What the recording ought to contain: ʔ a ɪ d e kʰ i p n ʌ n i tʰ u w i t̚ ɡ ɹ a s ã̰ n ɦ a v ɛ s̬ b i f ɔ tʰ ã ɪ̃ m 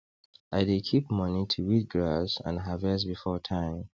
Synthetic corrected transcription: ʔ a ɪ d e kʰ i p m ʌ n i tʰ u w i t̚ ɡ ɹ a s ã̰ n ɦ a v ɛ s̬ b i f ɔ tʰ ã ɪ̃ m